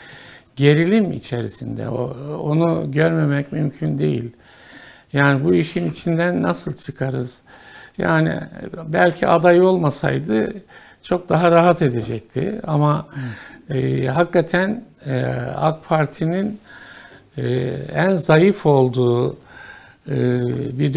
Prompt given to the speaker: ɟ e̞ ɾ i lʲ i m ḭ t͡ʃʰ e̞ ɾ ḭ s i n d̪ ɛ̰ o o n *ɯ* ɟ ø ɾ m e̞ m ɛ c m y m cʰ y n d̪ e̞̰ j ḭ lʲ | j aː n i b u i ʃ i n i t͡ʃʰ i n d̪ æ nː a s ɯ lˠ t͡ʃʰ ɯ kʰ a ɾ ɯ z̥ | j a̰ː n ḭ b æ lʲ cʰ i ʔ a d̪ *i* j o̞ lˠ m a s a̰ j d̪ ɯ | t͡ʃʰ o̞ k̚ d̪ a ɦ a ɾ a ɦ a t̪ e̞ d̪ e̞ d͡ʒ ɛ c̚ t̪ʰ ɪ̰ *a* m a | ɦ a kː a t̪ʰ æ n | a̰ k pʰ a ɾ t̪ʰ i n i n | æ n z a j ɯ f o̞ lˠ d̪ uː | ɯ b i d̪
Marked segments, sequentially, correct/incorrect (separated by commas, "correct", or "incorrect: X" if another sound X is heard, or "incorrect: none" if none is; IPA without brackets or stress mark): incorrect: u, incorrect: a, correct